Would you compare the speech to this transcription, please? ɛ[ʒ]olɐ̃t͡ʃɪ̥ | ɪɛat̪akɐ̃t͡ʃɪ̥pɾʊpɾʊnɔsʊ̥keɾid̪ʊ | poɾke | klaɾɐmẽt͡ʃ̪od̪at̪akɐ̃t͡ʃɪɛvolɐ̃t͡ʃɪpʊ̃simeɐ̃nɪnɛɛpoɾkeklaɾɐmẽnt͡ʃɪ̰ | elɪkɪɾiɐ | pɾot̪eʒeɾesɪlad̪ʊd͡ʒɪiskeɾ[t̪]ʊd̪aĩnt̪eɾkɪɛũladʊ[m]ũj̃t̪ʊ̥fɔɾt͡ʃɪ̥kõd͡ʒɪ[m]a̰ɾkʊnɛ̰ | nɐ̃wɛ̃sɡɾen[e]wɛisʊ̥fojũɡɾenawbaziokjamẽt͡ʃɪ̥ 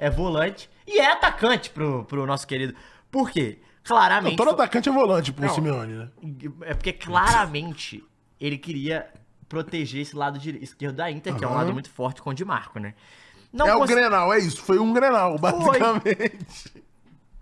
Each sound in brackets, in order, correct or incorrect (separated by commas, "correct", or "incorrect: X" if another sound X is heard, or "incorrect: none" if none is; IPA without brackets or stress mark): incorrect: v, incorrect: d̪, correct, correct, incorrect: a